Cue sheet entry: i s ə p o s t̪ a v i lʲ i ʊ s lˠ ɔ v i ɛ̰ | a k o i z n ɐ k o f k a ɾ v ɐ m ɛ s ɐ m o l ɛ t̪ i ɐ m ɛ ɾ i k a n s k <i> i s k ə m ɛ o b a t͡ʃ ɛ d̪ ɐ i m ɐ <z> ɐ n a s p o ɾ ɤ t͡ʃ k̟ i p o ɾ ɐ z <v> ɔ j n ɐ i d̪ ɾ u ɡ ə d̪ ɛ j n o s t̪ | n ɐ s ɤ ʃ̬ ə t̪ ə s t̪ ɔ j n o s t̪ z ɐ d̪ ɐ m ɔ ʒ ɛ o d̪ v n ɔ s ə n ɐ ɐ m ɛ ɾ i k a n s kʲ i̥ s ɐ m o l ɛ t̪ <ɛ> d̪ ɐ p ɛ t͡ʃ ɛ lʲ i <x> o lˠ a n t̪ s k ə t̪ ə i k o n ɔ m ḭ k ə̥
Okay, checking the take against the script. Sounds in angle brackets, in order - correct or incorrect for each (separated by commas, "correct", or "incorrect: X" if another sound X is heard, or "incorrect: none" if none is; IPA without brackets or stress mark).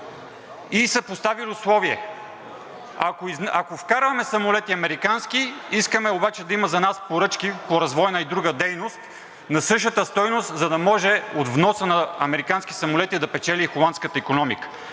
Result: correct, correct, correct, incorrect: i, correct